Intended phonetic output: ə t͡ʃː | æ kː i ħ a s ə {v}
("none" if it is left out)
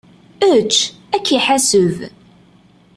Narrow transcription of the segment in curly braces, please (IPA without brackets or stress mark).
v